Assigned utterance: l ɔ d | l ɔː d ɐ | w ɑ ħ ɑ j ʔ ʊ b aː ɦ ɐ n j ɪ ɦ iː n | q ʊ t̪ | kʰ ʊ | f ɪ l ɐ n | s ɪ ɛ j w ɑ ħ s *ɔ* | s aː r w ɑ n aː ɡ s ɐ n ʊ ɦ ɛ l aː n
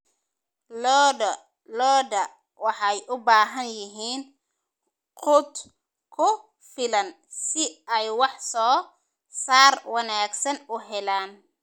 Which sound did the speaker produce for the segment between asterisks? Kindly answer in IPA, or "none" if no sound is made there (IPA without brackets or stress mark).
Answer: ɔː